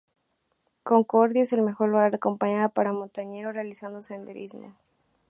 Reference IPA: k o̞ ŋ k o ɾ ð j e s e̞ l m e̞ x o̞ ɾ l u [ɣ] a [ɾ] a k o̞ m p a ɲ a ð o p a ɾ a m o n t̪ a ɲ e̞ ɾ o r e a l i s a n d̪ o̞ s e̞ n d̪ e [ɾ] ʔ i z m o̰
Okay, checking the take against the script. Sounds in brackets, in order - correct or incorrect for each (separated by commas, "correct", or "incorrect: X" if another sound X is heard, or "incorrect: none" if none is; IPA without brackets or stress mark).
correct, correct, correct